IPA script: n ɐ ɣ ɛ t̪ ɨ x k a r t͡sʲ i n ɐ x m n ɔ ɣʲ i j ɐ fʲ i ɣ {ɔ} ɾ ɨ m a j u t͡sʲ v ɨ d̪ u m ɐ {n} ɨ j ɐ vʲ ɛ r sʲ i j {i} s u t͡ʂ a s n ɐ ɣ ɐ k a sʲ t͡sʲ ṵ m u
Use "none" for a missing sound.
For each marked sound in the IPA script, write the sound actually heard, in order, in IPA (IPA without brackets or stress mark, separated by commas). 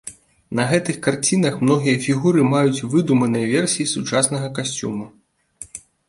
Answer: u, n, i